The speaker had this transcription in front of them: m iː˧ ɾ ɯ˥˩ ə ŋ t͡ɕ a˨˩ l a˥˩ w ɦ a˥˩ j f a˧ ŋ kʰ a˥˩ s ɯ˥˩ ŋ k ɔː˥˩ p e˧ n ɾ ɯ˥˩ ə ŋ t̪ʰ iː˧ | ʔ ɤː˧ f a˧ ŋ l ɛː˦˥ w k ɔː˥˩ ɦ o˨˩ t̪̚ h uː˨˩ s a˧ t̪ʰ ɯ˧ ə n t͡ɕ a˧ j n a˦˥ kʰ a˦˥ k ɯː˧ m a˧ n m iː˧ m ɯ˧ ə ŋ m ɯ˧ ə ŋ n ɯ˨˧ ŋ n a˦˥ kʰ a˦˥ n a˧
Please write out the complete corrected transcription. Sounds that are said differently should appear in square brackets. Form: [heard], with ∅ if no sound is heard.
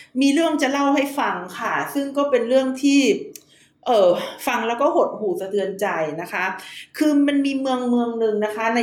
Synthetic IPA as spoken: m iː˧ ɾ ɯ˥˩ ə ŋ t͡ɕ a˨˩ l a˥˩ w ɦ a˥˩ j f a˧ ŋ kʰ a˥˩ s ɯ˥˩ ŋ k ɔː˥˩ p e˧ n ɾ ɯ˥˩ ə ŋ t̪ʰ [iː˥˩] | ʔ [ɤː˨˩] f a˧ ŋ l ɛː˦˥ w k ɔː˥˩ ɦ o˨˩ t̪̚ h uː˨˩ s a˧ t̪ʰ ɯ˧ ə n t͡ɕ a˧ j n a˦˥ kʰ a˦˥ [kʰ] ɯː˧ m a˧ n m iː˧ m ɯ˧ ə ŋ m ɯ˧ ə ŋ n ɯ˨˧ ŋ n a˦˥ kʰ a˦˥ n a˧